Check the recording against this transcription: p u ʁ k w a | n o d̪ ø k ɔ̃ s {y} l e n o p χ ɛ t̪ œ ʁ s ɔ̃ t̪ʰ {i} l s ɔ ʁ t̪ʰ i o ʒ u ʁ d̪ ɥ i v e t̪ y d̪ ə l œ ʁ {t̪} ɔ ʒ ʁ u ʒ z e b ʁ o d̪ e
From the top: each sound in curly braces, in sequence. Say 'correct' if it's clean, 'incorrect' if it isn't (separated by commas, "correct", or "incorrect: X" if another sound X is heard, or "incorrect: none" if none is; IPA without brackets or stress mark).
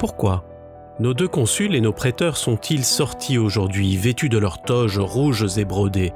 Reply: correct, correct, correct